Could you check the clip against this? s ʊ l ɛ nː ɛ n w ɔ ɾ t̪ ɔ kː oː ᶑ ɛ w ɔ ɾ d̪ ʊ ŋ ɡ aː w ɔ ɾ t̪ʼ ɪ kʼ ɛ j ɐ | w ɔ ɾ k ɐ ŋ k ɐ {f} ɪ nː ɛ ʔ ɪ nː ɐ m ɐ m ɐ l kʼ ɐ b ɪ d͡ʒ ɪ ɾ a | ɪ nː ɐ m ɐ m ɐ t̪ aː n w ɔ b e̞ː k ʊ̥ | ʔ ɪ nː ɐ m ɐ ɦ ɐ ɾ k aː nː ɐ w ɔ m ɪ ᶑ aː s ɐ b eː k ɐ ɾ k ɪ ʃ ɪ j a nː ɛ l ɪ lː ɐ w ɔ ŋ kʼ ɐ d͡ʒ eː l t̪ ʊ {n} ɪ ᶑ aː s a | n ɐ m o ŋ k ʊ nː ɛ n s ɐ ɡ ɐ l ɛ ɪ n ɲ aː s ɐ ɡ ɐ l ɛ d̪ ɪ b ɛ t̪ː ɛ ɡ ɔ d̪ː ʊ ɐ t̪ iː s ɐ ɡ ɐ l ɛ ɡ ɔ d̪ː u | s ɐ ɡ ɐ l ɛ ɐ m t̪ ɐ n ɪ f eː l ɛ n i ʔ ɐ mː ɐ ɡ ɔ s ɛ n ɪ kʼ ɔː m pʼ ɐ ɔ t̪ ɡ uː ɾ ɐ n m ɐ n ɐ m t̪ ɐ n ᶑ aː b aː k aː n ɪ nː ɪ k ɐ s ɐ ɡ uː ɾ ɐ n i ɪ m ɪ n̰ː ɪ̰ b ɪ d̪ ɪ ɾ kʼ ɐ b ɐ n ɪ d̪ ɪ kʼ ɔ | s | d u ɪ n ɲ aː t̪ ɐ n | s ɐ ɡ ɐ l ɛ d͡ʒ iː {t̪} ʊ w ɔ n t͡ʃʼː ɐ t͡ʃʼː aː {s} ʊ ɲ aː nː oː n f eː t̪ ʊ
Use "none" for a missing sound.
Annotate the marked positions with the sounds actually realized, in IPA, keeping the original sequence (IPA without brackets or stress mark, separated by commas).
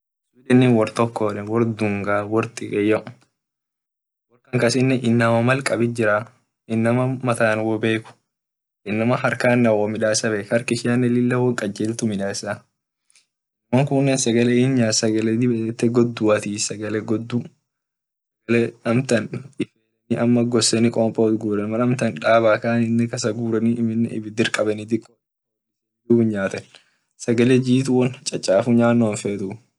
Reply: s, m, t̪, f